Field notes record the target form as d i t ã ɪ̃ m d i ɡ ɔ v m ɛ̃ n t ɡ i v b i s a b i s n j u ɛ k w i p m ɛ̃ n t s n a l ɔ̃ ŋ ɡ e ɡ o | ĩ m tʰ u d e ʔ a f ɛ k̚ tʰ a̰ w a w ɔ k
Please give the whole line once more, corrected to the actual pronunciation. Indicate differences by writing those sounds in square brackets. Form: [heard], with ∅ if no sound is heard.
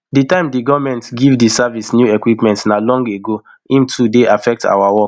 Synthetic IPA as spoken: d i t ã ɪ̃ m d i ɡ ɔ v m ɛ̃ n t ɡ i v [d] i s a [v] i s n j u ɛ k w i p m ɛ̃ n t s n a l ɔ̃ ŋ ɡ e ɡ o | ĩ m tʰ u d e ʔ a f ɛ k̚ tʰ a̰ w a w ɔ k